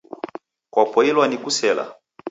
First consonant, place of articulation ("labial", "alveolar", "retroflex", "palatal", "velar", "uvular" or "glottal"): velar